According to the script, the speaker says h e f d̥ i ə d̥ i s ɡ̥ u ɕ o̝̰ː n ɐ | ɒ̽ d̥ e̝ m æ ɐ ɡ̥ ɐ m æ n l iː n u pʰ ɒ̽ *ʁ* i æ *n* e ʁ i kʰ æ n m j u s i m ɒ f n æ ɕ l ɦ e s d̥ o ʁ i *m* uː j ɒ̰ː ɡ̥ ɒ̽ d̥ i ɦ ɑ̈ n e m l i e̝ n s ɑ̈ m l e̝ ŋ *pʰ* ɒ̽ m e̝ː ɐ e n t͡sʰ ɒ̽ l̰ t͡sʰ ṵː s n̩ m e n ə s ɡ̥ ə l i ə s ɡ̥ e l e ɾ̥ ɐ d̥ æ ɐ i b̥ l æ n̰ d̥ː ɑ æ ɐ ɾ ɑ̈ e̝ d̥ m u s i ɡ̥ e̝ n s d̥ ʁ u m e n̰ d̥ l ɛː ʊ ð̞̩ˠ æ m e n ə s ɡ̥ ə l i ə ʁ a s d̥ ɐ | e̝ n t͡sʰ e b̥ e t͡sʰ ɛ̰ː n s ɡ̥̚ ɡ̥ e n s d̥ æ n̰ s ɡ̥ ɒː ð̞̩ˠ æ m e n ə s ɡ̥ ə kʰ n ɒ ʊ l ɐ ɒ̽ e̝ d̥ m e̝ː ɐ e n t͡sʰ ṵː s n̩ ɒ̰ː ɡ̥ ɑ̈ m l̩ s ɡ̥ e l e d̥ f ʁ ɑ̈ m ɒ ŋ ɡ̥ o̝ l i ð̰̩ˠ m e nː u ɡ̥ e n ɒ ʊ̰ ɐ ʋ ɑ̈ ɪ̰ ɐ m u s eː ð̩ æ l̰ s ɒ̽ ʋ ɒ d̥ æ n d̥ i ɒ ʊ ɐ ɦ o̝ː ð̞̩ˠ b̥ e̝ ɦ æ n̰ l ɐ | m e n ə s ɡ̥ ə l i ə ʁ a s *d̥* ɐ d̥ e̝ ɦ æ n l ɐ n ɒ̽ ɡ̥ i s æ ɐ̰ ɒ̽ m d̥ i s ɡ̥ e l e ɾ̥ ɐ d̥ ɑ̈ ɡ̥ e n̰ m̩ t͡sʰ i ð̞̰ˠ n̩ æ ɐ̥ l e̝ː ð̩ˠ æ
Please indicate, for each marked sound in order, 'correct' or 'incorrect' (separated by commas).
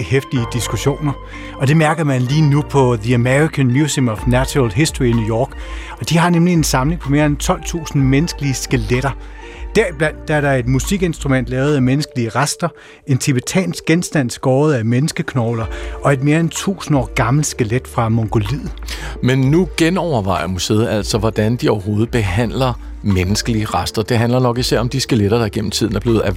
incorrect, incorrect, incorrect, correct, correct